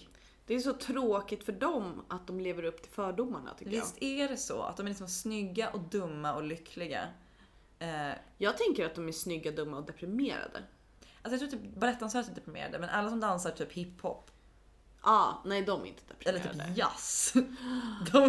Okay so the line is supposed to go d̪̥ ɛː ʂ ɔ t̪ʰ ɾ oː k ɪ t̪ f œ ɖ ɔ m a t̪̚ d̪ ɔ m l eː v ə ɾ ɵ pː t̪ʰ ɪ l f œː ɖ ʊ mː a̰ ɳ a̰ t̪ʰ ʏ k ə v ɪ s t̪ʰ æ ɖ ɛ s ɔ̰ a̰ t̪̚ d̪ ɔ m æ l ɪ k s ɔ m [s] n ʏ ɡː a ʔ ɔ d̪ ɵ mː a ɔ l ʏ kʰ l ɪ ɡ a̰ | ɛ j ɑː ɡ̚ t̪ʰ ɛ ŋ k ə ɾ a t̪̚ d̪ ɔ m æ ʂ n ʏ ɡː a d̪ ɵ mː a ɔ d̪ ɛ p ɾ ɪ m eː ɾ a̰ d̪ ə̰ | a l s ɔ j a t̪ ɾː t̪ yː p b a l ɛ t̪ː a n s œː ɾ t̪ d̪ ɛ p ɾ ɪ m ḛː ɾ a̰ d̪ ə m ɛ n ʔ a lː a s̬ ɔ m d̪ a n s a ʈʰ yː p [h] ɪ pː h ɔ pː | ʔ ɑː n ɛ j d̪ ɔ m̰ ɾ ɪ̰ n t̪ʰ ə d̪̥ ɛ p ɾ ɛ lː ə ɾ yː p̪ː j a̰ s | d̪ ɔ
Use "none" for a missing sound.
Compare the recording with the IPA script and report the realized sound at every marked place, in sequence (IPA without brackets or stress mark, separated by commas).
s, h